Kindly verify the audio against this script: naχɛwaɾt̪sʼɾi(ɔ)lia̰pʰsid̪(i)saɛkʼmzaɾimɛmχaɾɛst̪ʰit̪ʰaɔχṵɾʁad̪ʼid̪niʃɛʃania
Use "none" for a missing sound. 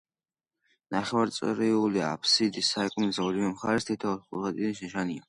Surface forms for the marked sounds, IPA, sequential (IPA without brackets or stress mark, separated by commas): u, i